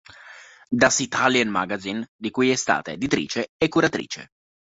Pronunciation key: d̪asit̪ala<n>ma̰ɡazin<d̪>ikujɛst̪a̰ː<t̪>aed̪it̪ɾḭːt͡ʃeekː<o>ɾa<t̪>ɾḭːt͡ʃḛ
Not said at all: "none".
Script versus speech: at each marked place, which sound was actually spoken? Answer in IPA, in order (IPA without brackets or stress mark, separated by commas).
n, d̪, t̪, u, t̪